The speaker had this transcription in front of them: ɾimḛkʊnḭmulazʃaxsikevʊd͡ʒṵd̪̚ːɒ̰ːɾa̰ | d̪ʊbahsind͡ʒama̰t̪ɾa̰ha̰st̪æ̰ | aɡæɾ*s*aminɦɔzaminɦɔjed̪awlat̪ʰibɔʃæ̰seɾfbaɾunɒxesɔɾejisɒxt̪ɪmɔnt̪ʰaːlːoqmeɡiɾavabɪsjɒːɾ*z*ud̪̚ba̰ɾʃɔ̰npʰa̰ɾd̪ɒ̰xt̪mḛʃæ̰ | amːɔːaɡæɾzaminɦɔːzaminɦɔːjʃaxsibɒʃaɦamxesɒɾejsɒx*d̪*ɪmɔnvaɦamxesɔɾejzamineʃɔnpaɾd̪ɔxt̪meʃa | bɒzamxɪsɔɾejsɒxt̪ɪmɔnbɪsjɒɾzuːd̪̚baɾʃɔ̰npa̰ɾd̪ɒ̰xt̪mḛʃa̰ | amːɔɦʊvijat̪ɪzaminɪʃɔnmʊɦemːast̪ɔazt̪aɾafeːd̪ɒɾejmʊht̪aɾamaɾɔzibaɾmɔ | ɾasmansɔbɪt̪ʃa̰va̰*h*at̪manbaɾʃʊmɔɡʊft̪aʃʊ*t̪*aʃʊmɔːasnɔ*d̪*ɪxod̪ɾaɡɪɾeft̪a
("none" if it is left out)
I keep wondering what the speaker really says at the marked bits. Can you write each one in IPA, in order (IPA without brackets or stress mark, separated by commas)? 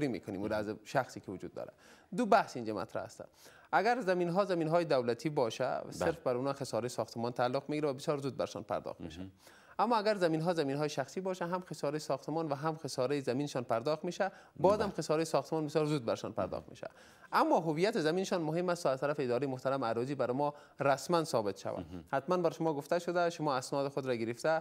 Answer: z, z, t̪, h, d̪, d̪